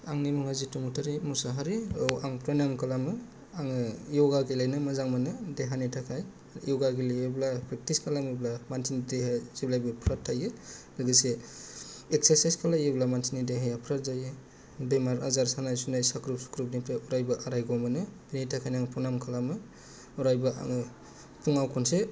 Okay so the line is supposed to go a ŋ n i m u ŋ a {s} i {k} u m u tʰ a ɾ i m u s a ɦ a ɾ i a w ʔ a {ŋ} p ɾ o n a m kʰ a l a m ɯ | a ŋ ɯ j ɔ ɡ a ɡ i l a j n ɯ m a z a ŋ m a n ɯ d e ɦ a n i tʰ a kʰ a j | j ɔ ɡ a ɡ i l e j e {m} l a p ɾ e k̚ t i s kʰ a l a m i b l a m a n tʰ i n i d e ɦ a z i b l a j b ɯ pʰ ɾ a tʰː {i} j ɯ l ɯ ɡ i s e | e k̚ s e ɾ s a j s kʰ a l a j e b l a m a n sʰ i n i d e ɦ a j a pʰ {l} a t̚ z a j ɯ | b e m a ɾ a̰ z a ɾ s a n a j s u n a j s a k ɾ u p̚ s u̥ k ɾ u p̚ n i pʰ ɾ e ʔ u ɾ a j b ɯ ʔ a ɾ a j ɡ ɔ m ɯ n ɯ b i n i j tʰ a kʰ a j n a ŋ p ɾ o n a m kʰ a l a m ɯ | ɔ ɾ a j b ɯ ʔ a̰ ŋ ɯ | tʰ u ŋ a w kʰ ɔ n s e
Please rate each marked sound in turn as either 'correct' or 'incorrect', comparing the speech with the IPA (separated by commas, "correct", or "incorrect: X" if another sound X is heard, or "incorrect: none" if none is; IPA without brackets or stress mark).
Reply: incorrect: z, incorrect: t, correct, incorrect: b, incorrect: a, incorrect: ɾ